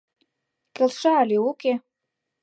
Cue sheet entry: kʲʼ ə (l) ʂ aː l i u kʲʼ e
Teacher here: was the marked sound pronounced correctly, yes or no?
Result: yes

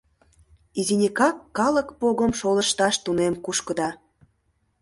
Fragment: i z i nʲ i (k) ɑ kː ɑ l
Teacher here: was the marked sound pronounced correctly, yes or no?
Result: yes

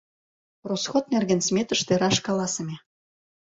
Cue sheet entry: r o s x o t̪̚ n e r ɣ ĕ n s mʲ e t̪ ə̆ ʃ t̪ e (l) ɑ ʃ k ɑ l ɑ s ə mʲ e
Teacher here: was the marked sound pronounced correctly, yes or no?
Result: no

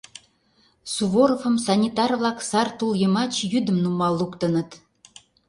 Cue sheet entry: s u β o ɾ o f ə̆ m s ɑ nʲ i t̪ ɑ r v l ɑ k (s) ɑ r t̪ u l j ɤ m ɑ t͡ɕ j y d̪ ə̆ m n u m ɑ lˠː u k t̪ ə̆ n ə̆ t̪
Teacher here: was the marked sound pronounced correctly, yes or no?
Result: yes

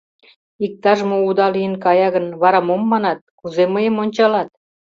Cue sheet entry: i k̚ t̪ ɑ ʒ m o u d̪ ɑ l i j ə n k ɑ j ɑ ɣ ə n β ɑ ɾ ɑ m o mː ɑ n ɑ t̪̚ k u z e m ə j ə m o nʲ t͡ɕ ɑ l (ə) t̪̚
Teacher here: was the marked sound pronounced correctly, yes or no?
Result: no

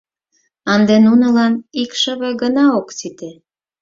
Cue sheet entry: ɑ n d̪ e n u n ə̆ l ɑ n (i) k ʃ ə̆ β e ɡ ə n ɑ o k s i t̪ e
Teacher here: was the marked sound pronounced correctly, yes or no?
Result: yes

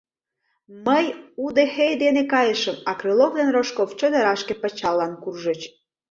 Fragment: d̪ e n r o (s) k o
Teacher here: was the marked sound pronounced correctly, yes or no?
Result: no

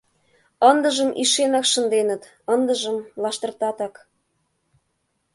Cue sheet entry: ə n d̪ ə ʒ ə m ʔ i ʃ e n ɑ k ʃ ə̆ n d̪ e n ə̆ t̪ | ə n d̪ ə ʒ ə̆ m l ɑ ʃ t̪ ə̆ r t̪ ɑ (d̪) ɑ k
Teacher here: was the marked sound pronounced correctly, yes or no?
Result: no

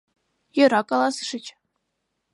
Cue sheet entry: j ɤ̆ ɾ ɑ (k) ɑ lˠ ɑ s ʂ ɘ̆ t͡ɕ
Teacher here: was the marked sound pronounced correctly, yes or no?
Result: yes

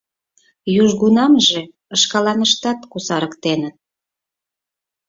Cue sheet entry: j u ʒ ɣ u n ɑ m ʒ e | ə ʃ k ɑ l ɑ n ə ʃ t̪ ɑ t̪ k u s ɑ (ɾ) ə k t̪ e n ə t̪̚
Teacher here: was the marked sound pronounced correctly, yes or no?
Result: yes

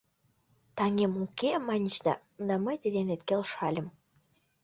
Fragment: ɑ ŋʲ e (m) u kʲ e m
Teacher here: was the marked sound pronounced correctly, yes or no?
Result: yes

